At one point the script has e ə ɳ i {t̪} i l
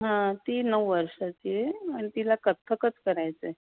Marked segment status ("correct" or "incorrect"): correct